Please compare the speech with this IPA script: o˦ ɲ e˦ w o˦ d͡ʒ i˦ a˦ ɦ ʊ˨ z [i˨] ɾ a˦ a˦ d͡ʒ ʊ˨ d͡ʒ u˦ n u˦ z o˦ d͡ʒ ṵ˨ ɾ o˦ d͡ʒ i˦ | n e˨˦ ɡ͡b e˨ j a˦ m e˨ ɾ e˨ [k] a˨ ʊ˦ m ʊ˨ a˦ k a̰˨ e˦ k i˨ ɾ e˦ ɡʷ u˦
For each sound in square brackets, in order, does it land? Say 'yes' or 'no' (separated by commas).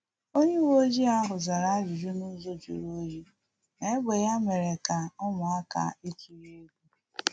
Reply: no, yes